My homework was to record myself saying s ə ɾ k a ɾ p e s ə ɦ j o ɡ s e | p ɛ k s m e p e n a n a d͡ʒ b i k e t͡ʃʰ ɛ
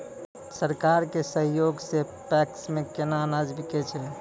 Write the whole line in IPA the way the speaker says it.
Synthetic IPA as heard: s ə ɾ k a ɾ k e s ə ɦ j o ɡ s e | p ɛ k s m e k e n a n a d͡ʒ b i k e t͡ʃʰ ɛ